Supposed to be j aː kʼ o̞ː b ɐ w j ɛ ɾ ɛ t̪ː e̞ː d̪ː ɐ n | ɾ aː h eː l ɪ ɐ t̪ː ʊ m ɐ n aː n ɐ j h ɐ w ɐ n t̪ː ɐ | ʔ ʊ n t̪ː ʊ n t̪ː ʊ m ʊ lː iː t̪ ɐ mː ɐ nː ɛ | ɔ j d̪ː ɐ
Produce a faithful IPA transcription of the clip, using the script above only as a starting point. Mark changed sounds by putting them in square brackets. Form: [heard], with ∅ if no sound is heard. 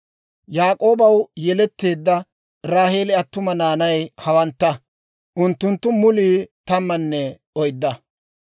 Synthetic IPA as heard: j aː kʼ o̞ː b ɐ w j ɛ [l] ɛ t̪ː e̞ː d̪ː ɐ [∅] | ɾ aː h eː l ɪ ɐ t̪ː ʊ m ɐ n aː n ɐ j h ɐ w ɐ n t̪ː ɐ | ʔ ʊ n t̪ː ʊ n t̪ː ʊ m ʊ [l] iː t̪ ɐ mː ɐ nː ɛ | ɔ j d̪ː ɐ